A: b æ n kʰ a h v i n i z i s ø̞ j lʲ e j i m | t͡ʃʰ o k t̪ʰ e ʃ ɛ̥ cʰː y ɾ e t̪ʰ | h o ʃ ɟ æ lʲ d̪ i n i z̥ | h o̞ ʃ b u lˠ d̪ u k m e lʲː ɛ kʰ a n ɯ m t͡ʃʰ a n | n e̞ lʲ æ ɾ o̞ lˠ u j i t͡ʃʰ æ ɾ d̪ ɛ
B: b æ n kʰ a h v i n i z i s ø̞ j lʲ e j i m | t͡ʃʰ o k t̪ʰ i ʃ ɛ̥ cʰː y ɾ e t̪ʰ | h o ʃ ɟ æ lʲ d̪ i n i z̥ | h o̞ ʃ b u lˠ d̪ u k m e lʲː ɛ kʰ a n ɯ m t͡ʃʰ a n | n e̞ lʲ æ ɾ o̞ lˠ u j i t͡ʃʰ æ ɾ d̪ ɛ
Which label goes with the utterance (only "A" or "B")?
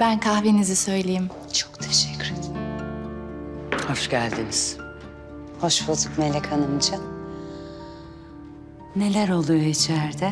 A